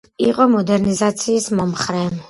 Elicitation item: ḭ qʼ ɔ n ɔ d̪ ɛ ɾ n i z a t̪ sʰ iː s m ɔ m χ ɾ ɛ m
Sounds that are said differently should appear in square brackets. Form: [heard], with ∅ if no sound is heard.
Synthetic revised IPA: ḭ qʼ ɔ [m] ɔ d̪ ɛ ɾ n i z a t̪ sʰ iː s m ɔ m χ ɾ ɛ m